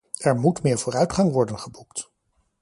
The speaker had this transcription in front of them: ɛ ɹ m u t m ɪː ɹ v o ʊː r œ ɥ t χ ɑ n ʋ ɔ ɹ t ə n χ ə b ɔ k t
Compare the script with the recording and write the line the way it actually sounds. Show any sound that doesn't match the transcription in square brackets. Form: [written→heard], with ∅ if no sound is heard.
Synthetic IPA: ɛ ɹ m u t m ɪː ɹ v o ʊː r œ ɥ t χ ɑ [n→ŋ] ʋ ɔ ɹ [t→d] ə n χ ə b [ɔ→u] k t